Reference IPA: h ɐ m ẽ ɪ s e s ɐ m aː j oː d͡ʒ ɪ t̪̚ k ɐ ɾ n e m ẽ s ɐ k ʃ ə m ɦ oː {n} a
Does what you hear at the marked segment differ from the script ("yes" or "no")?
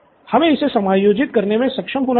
no